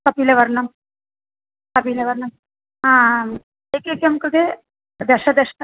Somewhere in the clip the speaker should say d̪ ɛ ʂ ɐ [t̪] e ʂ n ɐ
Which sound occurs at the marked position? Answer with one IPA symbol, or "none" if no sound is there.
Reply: d̪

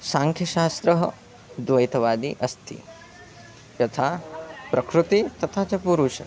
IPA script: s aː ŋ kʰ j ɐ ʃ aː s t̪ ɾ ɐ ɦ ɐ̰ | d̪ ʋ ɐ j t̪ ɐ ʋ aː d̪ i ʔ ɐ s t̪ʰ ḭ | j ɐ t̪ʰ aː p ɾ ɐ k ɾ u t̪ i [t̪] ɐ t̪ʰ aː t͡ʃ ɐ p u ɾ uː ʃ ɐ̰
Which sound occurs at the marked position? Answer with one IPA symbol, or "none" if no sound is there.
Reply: t̪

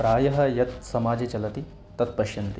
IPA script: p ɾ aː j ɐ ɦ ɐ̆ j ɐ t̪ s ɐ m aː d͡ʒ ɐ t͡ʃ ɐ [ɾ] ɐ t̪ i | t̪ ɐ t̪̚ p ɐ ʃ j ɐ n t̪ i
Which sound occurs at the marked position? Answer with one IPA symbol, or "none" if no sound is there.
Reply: l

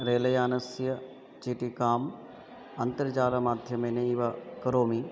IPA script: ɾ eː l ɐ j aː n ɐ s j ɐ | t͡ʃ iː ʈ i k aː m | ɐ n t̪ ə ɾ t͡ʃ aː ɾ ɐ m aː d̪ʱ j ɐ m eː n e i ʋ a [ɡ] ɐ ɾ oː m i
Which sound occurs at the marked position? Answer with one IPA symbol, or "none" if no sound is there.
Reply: k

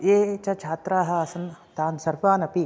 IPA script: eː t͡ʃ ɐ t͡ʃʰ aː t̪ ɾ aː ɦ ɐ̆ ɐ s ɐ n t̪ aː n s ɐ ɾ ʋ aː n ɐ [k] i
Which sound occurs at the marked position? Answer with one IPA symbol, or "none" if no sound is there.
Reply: p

